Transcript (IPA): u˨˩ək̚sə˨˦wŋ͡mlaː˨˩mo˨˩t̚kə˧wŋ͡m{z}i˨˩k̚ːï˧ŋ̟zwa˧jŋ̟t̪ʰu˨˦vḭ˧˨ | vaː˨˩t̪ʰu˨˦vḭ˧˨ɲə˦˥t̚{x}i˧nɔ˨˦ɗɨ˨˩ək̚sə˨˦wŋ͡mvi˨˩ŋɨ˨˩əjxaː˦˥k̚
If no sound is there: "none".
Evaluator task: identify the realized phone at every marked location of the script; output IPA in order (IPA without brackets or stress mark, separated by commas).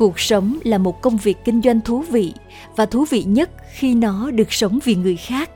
v, x